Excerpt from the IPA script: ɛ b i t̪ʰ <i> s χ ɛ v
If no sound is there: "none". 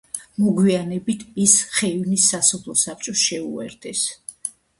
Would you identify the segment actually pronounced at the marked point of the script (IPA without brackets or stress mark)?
i